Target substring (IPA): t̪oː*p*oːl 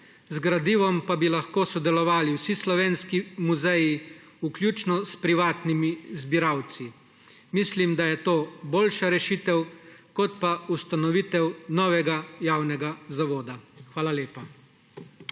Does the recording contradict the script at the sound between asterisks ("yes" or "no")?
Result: yes